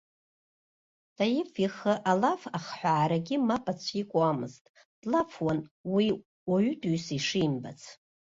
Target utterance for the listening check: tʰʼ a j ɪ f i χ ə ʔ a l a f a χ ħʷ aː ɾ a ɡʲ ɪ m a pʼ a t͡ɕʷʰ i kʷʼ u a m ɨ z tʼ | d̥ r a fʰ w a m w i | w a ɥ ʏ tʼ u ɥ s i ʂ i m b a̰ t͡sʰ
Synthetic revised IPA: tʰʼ a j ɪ f i χ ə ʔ a l a f a χ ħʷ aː ɾ a ɡʲ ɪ m a pʼ a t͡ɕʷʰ i kʷʼ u a m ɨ z tʼ | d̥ l a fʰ w a n w i | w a ɥ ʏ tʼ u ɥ s i ʂ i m b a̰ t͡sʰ